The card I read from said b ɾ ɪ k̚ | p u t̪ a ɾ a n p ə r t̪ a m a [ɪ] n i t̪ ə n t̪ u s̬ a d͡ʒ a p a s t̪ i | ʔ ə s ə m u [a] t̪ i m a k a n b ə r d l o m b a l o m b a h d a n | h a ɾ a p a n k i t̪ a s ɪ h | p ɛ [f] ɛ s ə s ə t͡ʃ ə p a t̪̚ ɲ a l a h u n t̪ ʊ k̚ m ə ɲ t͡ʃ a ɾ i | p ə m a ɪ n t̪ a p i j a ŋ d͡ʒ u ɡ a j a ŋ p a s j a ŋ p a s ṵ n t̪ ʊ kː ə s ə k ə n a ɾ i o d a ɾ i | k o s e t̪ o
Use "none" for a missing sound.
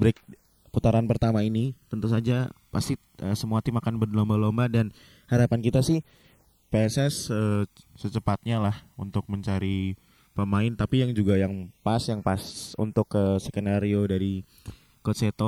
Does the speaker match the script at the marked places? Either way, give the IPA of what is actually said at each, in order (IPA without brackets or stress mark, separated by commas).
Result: i, a, s